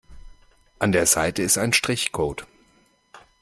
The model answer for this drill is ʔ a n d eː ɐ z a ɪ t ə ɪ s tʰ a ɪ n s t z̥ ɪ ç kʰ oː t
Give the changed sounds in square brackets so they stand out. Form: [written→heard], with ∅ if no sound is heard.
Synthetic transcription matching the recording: ʔ a n d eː ɐ z a ɪ t ə ɪ s [tʰ→t] a ɪ n [s→ʃ] t [z̥→ʁ̥] ɪ ç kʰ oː t